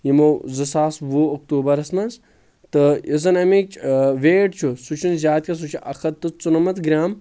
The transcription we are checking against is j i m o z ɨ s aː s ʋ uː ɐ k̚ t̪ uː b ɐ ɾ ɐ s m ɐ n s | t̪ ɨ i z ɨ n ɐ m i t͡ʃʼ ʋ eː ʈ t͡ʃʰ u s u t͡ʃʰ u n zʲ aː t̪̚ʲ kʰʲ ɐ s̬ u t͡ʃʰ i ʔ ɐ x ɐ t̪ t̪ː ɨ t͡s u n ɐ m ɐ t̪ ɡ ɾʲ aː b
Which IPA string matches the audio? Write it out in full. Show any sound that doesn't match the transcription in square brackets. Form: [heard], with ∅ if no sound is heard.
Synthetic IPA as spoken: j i m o z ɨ s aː s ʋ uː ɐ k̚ t̪ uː b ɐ ɾ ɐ s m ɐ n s | t̪ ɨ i z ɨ n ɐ m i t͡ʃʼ ʋ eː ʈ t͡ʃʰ u s u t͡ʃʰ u n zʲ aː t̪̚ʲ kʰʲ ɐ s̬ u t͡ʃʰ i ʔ ɐ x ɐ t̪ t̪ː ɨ t͡s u n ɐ m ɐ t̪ ɡ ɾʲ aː [m]